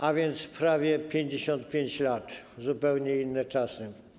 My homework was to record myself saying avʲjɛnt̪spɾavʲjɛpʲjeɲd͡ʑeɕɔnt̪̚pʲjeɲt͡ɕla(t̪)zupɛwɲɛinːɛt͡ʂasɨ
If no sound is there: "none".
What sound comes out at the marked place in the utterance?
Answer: t̪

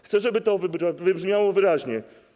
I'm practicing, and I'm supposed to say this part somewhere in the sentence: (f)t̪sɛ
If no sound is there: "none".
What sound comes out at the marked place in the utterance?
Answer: x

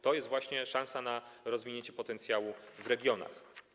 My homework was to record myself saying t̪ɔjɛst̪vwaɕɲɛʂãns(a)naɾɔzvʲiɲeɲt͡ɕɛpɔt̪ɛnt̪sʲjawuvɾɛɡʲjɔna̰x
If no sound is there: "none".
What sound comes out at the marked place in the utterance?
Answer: a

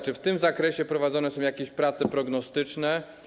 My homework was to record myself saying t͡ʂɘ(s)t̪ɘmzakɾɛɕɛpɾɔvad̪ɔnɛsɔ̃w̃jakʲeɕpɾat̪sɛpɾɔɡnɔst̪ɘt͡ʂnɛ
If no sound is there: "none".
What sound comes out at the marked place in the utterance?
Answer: f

